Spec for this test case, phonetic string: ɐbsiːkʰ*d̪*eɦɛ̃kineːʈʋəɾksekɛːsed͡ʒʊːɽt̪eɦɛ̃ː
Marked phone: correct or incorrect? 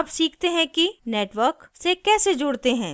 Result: incorrect: t̪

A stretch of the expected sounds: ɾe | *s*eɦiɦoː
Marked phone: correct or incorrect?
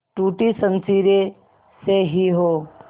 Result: correct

